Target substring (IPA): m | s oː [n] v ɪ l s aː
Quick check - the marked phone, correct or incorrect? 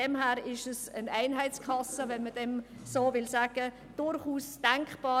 incorrect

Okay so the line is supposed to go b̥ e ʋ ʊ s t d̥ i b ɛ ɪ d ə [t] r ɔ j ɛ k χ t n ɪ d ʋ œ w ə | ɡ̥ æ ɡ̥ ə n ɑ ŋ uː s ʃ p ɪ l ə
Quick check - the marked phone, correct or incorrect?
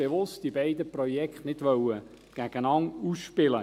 incorrect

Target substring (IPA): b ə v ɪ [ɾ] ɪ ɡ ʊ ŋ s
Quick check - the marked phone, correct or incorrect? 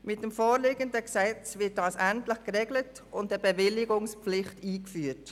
incorrect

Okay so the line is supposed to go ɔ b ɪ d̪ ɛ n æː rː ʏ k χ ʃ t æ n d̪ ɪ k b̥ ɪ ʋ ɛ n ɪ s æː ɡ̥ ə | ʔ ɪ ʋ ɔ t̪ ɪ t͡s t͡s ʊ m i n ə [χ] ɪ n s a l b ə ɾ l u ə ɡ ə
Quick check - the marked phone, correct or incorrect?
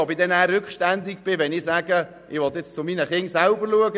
correct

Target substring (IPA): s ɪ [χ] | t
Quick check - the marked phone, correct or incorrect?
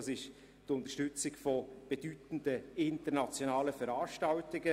incorrect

